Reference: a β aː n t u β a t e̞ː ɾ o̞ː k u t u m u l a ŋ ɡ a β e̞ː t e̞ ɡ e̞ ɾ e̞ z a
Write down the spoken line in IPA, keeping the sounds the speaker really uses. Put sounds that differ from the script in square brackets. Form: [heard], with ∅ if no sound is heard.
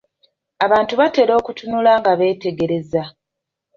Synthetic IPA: a β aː n t u β a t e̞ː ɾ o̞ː k u t u [n] u l a ŋ ɡ a β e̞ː t e̞ ɡ e̞ ɾ e̞ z a

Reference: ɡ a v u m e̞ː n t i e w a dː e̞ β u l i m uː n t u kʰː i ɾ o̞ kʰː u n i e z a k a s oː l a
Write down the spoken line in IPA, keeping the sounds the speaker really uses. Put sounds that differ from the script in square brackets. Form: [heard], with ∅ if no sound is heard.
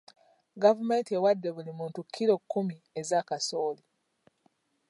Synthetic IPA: ɡ a v u m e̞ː n t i e w a dː e̞ β u l i m uː n t u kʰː i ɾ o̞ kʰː u [m] i e z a k a s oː l [i]

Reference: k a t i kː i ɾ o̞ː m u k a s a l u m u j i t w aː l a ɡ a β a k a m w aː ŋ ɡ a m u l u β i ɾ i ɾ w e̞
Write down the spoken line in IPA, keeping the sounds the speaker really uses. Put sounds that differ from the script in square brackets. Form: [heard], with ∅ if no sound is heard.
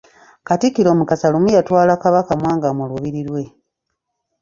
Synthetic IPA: k a t i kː i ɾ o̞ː m u k a s a l u m u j [a] t w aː l a [k] a β a k a m w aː ŋ ɡ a m u l u β i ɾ i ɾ w e̞

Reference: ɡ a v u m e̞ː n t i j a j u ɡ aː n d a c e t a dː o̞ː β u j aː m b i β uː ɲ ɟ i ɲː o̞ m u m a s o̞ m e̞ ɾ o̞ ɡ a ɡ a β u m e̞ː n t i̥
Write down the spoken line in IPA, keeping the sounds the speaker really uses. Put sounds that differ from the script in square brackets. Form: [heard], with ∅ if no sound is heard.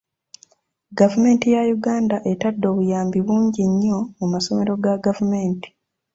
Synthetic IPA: ɡ a v u m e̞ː n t i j a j u ɡ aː n d a [ʔ] e t a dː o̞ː β u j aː m b i β uː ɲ ɟ i ɲː o̞ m u m a s o̞ m e̞ ɾ o̞ ɡ a ɡ a [v] u m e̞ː n t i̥

